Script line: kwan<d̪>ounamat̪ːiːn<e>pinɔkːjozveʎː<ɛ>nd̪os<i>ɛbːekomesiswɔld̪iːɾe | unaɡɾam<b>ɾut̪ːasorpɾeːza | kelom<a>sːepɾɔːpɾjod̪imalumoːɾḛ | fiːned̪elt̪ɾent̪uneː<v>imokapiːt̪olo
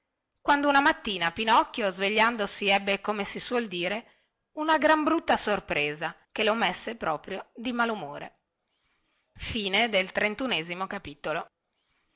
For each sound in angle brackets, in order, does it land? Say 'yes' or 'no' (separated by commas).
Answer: yes, no, no, yes, yes, no, no